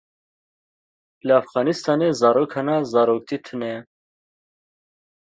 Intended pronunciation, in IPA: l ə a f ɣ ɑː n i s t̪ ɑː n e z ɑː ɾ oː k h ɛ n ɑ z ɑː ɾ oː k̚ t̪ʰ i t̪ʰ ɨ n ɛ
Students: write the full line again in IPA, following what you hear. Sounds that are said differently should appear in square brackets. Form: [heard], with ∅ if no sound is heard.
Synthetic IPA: l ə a f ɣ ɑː n i s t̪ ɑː n e z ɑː ɾ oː k h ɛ n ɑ z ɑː ɾ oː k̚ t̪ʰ i t̪ʰ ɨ n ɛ